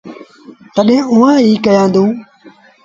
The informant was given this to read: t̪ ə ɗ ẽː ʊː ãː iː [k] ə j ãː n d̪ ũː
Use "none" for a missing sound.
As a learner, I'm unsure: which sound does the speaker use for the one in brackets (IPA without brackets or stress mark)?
k